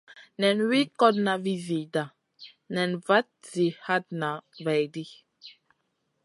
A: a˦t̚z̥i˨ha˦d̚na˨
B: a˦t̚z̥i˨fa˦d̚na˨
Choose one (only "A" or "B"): A